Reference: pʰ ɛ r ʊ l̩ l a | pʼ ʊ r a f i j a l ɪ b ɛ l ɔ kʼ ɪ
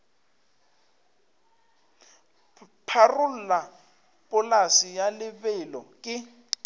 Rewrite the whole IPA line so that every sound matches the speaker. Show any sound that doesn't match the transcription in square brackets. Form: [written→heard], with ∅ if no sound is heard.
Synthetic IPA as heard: pʰ [ɛ→a] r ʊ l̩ l a | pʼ ʊ [r→l] a [f→s] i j a l ɪ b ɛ l ɔ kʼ ɪ